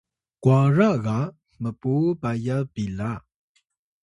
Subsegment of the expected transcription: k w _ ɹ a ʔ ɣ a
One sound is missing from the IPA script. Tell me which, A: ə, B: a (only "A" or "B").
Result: B